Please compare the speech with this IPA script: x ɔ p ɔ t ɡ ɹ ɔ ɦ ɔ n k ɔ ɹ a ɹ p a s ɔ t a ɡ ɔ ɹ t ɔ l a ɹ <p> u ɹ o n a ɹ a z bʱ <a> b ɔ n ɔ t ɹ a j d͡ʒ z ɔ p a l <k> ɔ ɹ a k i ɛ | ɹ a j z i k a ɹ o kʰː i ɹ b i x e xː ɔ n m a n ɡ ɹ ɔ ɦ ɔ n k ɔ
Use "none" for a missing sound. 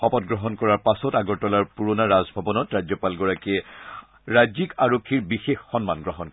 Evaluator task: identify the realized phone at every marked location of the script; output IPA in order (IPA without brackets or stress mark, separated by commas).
p, a, ɡ